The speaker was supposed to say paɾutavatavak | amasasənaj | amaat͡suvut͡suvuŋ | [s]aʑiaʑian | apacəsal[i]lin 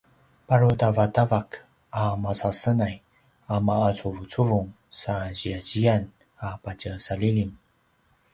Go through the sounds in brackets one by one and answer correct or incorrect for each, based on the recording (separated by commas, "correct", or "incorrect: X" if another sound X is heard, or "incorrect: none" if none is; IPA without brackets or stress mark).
correct, correct